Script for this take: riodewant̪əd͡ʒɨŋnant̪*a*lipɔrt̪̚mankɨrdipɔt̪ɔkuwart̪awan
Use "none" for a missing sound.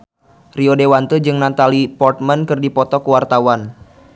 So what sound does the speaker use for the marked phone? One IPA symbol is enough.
a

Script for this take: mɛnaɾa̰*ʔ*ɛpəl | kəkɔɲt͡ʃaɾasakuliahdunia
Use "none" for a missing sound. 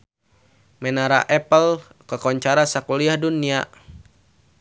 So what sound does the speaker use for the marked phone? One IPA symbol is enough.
ʔ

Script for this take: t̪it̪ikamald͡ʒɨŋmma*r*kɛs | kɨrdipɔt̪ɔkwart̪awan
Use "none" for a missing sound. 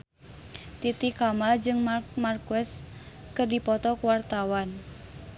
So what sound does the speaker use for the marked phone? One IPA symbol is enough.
r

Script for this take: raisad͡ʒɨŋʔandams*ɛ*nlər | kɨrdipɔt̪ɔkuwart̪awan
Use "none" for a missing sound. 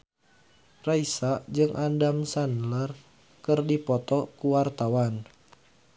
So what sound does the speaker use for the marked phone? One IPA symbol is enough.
a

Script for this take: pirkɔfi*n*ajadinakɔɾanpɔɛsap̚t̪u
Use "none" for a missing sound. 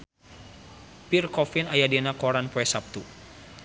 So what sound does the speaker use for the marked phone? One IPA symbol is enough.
n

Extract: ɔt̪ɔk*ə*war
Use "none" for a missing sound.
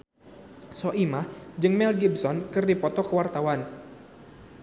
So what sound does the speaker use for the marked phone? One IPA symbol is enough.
ə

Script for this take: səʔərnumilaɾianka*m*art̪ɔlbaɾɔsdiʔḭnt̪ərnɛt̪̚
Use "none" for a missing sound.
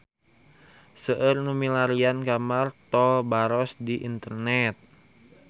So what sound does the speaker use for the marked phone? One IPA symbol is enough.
m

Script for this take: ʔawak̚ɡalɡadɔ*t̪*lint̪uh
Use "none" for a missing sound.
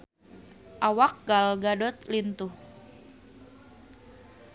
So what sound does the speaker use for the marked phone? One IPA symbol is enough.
t̪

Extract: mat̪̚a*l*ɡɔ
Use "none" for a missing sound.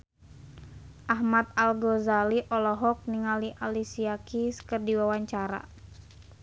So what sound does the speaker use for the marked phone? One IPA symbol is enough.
l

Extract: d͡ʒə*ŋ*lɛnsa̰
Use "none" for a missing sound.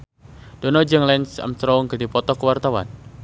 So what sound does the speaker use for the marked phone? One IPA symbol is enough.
ŋ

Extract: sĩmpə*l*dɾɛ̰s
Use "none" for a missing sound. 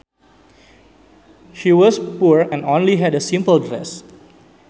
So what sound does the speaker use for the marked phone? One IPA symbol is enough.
l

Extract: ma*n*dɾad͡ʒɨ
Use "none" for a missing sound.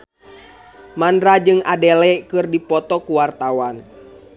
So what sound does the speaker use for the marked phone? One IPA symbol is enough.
n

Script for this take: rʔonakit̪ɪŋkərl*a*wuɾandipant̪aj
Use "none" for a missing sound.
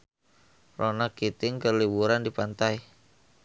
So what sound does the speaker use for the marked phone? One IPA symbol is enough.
i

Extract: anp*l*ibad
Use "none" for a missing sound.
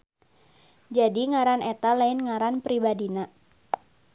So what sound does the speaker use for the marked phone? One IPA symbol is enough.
ɾ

